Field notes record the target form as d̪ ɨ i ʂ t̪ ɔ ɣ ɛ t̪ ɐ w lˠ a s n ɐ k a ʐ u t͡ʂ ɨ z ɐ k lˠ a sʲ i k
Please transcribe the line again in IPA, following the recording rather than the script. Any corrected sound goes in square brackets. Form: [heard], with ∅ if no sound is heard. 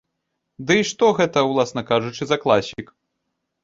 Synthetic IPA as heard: d̪ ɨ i ʂ t̪ ɔ ɣ ɛ t̪ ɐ w lˠ a s n ɐ k a ʐ u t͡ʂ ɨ z ɐ k lˠ a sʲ i k

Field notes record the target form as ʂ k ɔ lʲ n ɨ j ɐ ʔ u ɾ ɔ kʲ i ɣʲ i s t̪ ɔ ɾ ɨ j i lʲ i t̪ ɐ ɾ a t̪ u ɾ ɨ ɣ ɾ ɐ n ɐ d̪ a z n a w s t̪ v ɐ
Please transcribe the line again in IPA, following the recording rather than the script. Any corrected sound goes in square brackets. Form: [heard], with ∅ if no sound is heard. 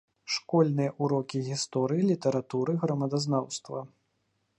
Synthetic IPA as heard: ʂ k ɔ lʲ n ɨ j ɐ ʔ u ɾ ɔ kʲ i ɣʲ i s t̪ ɔ ɾ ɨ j i lʲ i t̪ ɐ ɾ a t̪ u ɾ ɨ ɣ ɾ ɐ [m] ɐ d̪ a z n a w s t̪ v ɐ

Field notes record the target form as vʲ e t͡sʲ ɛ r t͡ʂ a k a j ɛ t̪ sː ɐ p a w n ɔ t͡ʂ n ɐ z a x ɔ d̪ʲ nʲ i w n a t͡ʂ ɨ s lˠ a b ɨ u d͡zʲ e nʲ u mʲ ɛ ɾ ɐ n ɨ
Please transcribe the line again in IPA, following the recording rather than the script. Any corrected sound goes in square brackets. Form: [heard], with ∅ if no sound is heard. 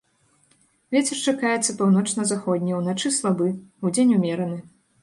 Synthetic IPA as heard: vʲ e t͡sʲ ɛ r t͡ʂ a k a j ɛ t̪ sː ɐ p a w n ɔ t͡ʂ n ɐ z a x ɔ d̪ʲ nʲ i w n a t͡ʂ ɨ s lˠ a b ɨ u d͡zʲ e nʲ u mʲ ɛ ɾ ɐ n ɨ

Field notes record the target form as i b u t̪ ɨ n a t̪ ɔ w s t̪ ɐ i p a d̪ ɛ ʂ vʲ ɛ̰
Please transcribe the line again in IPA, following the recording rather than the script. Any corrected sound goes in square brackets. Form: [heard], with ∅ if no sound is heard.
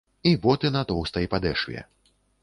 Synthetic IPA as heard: i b [ɔ] t̪ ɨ n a t̪ ɔ w s t̪ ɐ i p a d̪ ɛ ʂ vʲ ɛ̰

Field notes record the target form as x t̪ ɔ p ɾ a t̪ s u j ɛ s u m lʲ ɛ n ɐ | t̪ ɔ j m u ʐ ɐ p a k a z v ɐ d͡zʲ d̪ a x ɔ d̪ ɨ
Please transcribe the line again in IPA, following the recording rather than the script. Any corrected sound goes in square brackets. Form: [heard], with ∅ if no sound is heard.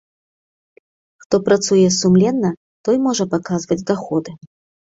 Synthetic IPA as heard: x t̪ ɔ p ɾ a t̪ s u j ɛ s u m lʲ ɛ [nː] ɐ | t̪ ɔ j m [ɔ] ʐ ɐ p a k a z v ɐ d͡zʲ d̪ a x ɔ d̪ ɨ

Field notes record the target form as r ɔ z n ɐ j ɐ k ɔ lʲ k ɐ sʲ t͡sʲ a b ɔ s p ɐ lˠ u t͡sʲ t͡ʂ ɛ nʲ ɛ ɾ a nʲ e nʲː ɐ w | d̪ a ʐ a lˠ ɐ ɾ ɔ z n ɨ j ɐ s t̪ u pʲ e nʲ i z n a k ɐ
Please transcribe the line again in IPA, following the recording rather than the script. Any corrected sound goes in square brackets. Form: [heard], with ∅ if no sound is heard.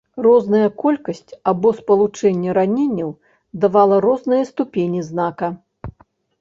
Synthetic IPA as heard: r ɔ z n ɐ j ɐ k ɔ lʲ k ɐ sʲ t͡sʲ a b ɔ s p ɐ lˠ u [∅] t͡ʂ ɛ [nʲː] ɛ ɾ a nʲ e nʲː ɐ w | d̪ a [v] a lˠ ɐ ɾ ɔ z n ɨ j ɐ s t̪ u pʲ e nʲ i z n a k ɐ

